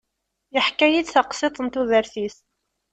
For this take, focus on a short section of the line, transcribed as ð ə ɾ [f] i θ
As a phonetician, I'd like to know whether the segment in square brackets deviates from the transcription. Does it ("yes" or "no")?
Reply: yes